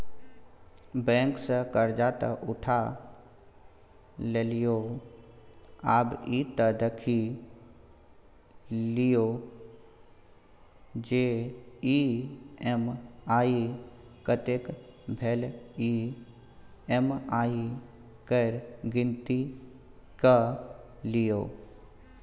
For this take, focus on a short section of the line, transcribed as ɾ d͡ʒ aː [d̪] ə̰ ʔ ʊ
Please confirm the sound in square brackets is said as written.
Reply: no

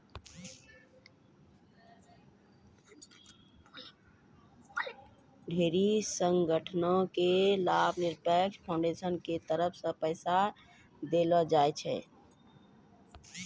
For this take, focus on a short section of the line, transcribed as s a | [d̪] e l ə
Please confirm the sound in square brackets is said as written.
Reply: yes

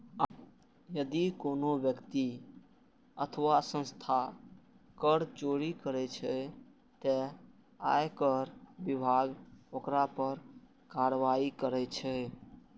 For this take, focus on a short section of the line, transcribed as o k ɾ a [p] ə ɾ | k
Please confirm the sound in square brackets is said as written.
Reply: yes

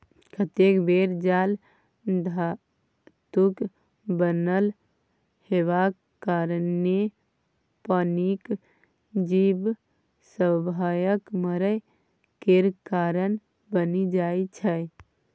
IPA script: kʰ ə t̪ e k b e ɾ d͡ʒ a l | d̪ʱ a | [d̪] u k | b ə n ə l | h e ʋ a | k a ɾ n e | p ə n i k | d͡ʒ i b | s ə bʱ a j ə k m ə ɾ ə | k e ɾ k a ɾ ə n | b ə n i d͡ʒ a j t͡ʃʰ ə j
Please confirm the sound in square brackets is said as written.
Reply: no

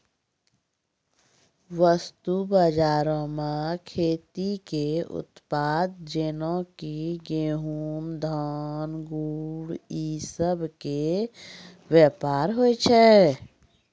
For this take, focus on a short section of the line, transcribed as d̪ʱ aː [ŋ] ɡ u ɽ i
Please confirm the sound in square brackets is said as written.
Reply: no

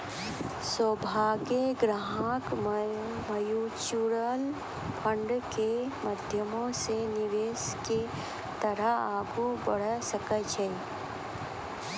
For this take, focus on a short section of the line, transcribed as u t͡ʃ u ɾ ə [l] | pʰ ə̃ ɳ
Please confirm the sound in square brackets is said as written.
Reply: yes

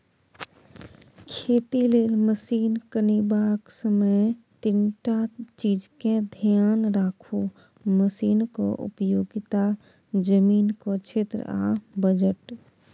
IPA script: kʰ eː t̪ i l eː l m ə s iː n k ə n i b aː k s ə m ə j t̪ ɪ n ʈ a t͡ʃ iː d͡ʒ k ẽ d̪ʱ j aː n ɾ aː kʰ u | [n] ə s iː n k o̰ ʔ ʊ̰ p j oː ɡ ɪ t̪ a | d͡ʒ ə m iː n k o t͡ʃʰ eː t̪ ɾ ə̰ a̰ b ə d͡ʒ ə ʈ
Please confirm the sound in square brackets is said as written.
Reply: no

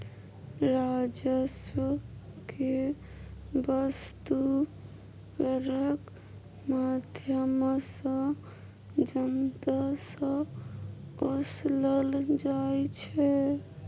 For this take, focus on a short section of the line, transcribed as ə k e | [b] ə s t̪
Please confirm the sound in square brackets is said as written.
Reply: yes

